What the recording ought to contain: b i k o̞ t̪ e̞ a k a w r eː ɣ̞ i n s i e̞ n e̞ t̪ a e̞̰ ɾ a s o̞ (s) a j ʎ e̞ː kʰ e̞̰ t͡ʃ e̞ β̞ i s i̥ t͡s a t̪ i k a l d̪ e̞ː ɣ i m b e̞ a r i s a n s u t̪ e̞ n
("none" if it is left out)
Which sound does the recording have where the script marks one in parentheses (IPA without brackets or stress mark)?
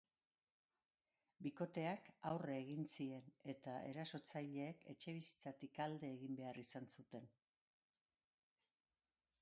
t͡s